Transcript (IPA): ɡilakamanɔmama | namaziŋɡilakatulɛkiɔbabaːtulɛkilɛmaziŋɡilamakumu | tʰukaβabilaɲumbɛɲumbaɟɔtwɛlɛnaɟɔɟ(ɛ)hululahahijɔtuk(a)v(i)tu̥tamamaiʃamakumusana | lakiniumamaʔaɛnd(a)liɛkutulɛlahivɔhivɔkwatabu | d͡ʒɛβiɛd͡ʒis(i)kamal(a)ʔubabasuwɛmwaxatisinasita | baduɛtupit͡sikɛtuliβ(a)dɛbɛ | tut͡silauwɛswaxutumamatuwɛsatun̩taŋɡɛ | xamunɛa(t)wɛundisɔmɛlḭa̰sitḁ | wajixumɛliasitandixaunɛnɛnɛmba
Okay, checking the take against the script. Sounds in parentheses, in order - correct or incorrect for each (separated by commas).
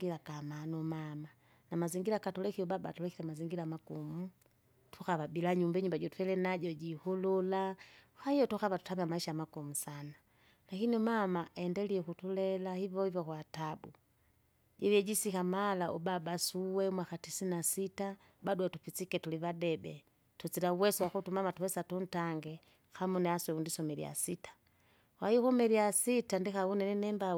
incorrect, correct, incorrect, incorrect, correct, correct, correct, incorrect